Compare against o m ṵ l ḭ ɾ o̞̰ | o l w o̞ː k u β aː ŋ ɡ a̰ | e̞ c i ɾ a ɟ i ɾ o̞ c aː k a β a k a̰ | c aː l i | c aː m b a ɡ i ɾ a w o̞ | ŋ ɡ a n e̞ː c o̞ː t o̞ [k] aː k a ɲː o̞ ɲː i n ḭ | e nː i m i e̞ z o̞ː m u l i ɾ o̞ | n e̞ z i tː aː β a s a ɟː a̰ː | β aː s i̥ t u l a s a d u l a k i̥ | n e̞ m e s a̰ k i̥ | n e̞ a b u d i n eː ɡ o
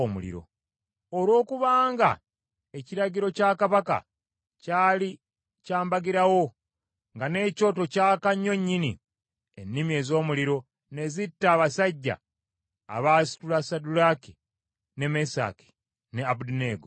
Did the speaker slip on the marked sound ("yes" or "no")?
yes